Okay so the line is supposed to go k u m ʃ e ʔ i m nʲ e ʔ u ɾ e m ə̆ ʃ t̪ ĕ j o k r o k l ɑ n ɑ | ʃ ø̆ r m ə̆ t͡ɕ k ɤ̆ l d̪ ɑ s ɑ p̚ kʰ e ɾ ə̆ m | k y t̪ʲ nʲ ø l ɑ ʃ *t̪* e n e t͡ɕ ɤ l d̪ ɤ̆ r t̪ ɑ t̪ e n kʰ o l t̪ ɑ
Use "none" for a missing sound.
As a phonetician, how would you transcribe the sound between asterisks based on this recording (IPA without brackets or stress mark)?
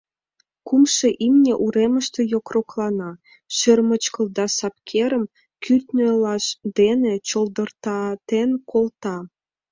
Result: d̪